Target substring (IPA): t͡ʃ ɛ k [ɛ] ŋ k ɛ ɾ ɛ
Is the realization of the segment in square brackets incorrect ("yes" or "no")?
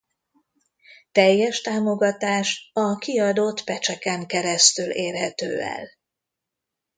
no